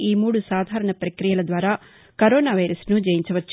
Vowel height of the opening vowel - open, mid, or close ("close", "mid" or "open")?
close